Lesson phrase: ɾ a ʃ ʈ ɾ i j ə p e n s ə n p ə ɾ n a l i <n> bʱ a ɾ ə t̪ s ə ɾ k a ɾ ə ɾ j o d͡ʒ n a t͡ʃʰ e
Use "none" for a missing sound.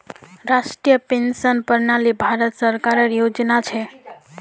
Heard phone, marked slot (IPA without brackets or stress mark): none